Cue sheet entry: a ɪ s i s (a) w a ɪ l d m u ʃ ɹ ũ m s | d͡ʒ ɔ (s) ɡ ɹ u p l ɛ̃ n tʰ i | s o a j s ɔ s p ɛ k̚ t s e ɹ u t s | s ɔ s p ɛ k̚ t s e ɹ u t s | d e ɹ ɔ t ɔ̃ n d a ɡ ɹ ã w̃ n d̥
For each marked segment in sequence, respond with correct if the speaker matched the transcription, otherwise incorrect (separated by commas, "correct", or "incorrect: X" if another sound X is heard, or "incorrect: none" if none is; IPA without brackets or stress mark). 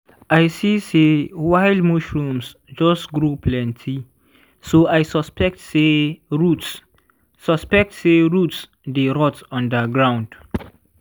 incorrect: e, correct